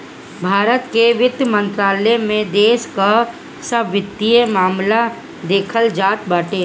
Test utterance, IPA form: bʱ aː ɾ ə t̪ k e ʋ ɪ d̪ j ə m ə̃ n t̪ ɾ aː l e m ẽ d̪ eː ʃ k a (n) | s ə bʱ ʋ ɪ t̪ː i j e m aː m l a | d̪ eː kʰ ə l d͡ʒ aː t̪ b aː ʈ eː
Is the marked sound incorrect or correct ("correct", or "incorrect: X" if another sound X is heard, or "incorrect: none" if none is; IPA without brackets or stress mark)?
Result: incorrect: none